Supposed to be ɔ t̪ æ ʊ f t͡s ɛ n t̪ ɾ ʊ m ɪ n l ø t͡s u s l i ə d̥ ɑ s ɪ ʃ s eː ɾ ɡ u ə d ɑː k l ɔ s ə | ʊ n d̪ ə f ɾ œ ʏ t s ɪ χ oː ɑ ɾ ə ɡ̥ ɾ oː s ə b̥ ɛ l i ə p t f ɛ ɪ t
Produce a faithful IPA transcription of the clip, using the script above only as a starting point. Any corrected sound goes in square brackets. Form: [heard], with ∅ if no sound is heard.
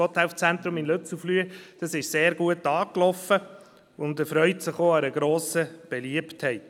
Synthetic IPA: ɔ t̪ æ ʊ f t͡s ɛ n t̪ ɾ ʊ m ɪ n l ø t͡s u [f] l [y] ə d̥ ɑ s ɪ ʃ s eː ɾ ɡ u ə [t] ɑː k l ɔ [f] ə | ʊ n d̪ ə f ɾ œ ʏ t s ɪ χ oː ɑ ɾ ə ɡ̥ ɾ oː s ə b̥ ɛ l i ə p t [h] ɛ ɪ t